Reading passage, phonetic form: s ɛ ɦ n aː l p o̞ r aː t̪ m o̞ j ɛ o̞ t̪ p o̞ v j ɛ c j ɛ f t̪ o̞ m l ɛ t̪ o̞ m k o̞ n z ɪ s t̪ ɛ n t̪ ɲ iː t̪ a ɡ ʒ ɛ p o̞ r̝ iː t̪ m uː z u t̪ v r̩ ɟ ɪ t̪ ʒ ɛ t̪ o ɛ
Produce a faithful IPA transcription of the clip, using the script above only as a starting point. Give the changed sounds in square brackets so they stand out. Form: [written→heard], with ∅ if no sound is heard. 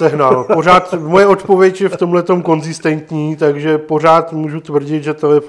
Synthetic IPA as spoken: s ɛ ɦ n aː l p o̞ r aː t̪ m o̞ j ɛ o̞ t̪ p o̞ v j ɛ c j ɛ f t̪ o̞ m l ɛ t̪ o̞ m k o̞ n z ɪ s t̪ ɛ n t̪ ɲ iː t̪ a ɡ ʒ ɛ p o̞ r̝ [iː→aː] t̪ m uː [z→ʒ] u t̪ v r̩ ɟ ɪ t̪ ʒ ɛ t̪ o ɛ